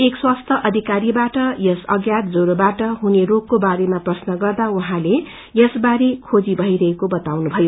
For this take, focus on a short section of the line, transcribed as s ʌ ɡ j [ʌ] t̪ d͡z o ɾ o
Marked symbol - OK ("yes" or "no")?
no